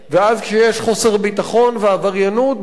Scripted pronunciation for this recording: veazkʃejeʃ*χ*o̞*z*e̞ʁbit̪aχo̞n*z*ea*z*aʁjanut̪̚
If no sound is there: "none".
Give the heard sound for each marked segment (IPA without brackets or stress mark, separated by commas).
χ, s, v, v